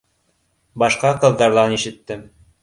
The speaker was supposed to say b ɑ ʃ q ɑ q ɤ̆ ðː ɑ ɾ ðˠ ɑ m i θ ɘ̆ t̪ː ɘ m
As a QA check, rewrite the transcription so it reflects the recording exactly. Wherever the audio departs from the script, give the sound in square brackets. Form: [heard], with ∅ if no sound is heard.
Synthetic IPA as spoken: b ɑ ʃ q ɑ q ɤ̆ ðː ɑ ɾ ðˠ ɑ [n] i [ʃ] ɘ̆ t̪ː ɘ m

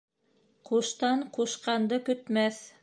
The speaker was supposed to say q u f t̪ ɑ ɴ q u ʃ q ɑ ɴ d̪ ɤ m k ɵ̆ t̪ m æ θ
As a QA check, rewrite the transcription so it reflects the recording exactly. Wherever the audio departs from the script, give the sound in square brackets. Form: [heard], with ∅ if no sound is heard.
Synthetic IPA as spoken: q u [ʃ] t̪ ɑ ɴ q u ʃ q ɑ [n] d̪ ɤ [∅] k ɵ̆ t̪ m æ θ

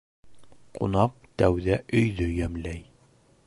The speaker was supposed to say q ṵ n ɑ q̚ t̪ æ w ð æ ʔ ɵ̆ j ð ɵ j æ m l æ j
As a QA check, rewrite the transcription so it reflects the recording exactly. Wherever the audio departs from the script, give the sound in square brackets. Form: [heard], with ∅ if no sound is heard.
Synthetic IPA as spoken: q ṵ n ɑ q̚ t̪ æ w ð æ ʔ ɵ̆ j ð ɵ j æ m l æ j

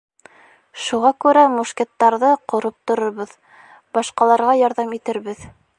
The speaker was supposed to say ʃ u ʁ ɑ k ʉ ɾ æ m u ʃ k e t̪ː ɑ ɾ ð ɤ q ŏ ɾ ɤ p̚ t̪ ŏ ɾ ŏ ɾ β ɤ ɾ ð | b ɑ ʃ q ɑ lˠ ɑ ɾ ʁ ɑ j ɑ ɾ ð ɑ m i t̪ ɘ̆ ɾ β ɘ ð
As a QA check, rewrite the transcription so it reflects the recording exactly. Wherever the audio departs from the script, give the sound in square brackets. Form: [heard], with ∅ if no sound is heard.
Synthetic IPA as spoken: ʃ u ʁ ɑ k ʉ ɾ æ m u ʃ k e t̪ː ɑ ɾ ð ɤ q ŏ ɾ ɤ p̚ t̪ ŏ ɾ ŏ ɾ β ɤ [∅] ð | b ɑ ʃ q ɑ lˠ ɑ ɾ ʁ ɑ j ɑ ɾ ð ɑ m i t̪ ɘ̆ ɾ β ɘ ð

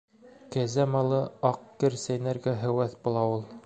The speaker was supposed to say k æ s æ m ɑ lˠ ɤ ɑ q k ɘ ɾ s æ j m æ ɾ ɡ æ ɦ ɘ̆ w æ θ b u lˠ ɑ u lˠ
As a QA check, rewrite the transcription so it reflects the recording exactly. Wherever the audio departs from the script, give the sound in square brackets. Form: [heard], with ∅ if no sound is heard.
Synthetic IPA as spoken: k æ [z] æ m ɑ lˠ ɤ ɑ q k ɘ ɾ s æ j [n] æ ɾ ɡ æ ɦ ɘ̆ w æ θ b u lˠ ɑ u lˠ

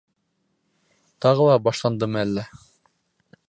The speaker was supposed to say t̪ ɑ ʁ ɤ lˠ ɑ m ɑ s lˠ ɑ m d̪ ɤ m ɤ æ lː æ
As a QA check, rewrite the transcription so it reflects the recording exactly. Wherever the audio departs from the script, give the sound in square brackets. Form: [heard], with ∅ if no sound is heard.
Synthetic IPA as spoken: t̪ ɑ ʁ ɤ lˠ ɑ [b] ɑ [ʃ] lˠ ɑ [n] d̪ ɤ m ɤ æ lː æ

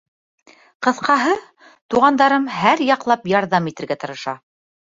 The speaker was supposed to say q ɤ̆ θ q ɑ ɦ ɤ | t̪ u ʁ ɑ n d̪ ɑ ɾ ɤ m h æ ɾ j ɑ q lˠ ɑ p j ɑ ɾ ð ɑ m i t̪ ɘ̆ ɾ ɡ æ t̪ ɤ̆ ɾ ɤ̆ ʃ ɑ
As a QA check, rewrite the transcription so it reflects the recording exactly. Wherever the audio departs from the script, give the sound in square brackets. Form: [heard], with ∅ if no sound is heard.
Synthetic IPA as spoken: q ɤ̆ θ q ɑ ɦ ɤ | t̪ u ʁ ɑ n d̪ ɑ ɾ ɤ m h æ ɾ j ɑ q lˠ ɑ p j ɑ ɾ ð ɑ m i t̪ ɘ̆ ɾ ɡ æ t̪ ɤ̆ ɾ ɤ̆ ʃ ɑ

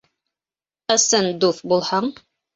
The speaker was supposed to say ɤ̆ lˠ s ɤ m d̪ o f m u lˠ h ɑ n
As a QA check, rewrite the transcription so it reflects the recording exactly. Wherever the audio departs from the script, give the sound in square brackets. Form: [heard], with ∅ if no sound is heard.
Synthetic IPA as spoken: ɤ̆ [∅] s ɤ [n] d̪ [u] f [b] u lˠ h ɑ [ɴ]

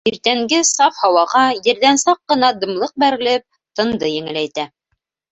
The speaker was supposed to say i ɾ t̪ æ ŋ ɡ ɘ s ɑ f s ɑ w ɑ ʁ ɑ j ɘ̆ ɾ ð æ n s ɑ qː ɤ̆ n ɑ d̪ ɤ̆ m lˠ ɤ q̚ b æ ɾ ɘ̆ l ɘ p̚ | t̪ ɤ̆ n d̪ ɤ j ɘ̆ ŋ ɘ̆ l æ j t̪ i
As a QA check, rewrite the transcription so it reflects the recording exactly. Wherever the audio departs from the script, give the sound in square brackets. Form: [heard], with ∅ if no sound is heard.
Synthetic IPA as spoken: i ɾ t̪ æ ŋ ɡ ɘ s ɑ f [h] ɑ w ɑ ʁ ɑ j ɘ̆ ɾ ð æ n s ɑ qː ɤ̆ n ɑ d̪ ɤ̆ m lˠ ɤ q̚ b æ ɾ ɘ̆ l ɘ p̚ | t̪ ɤ̆ n d̪ ɤ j ɘ̆ ŋ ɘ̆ l æ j t̪ [æ]

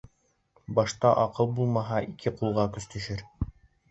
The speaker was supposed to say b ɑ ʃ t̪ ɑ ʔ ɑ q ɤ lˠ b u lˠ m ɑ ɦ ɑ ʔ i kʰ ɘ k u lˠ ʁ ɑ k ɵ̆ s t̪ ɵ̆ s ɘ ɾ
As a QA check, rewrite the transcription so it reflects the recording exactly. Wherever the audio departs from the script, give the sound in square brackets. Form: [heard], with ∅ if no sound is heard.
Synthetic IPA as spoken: b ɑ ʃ t̪ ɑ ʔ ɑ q ɤ lˠ b u lˠ m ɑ ɦ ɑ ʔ i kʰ ɘ [q] u lˠ ʁ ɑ k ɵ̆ s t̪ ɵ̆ [ʃ] ɘ ɾ

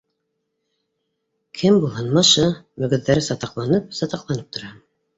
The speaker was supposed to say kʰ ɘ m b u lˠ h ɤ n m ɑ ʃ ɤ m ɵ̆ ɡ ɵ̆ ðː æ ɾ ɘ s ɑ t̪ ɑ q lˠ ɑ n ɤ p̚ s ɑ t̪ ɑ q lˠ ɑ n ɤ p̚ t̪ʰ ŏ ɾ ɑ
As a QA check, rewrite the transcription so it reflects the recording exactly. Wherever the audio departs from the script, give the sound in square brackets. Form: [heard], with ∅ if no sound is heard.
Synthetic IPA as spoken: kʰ ɘ m b u lˠ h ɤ n m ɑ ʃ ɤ m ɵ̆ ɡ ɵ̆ ðː æ ɾ ɘ s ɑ t̪ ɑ q lˠ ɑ n ɤ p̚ s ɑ t̪ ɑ q lˠ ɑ n ɤ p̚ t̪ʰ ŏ ɾ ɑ

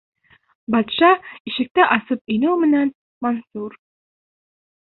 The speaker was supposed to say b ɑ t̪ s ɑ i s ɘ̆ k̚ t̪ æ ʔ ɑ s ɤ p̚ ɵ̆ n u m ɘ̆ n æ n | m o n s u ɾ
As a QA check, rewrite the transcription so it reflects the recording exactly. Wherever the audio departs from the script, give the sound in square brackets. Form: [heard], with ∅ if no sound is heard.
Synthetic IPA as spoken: b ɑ t̪ [ʃ] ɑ i [ʃ] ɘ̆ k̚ t̪ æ ʔ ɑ s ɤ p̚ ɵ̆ n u m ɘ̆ n æ n | m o n s u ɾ

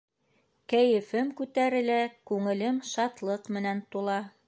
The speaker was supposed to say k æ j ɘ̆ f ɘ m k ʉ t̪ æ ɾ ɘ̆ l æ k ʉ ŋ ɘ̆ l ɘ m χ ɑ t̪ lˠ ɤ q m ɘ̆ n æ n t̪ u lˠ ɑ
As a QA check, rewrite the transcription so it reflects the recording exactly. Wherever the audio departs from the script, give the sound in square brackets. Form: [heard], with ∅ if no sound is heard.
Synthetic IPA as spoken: k æ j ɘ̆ f ɘ m k ʉ t̪ æ ɾ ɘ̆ l æ k ʉ ŋ ɘ̆ l ɘ m [ʃ] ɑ t̪ lˠ ɤ q m ɘ̆ n æ n t̪ u lˠ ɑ

